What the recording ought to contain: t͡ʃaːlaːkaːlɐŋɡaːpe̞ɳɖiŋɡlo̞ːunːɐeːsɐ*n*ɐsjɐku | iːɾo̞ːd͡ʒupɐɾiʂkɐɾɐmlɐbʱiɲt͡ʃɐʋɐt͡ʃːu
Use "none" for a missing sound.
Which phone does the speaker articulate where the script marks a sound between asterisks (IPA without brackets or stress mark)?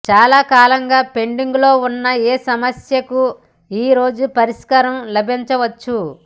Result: m